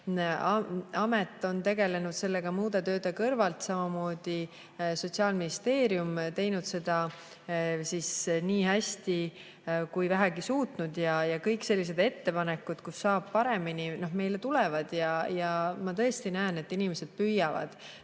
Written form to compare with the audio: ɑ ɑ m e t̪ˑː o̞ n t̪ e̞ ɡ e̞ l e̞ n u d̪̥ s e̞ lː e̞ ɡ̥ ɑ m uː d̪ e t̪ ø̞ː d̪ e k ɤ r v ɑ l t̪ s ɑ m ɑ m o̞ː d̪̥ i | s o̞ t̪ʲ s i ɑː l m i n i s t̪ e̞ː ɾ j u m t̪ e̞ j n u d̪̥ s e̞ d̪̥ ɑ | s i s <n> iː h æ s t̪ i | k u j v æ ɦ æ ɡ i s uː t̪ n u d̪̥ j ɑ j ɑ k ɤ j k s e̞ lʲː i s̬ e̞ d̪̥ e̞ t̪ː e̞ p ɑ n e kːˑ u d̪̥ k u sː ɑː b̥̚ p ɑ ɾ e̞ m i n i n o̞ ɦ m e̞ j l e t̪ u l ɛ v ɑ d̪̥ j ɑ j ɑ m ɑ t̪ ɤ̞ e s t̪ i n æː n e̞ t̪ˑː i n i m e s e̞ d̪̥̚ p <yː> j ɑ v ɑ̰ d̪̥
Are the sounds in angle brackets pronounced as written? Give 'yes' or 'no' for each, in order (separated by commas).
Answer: yes, no